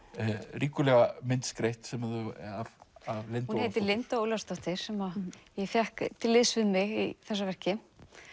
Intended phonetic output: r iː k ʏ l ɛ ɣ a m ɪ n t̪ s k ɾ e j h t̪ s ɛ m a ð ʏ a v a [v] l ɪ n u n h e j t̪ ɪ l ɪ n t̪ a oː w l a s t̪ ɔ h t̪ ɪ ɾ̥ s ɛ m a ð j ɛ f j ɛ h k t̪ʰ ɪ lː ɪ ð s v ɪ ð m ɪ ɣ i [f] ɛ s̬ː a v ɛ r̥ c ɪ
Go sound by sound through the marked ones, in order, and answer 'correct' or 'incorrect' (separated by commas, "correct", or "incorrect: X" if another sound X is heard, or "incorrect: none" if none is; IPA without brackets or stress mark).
correct, incorrect: θ